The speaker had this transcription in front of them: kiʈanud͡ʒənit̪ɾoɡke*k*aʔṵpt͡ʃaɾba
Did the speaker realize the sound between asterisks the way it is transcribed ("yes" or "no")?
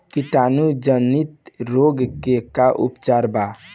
yes